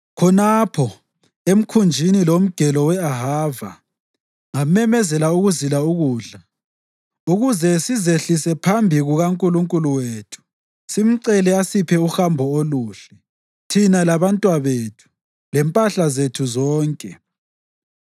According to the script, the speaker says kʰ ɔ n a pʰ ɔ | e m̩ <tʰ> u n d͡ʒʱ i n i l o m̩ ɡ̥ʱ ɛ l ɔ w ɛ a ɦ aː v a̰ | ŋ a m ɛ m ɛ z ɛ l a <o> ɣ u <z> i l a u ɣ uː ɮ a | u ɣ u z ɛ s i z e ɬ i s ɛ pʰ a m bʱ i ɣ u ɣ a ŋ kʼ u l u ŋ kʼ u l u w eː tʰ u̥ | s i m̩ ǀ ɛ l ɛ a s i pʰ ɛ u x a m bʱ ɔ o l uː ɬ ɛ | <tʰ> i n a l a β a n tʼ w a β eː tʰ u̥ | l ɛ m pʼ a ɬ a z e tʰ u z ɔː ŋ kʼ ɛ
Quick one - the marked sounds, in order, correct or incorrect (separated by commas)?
incorrect, incorrect, correct, correct